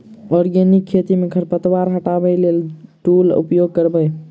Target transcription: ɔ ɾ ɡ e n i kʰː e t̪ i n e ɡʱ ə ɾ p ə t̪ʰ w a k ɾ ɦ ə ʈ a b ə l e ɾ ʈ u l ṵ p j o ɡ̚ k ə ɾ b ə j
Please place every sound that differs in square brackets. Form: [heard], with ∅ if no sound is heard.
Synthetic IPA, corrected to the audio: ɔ ɾ ɡ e n i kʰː e t̪ i [m] e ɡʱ ə ɾ p ə [t̪] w a [∅] ɾ ɦ ə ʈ a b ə l e [l] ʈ u l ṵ p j o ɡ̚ k ə ɾ b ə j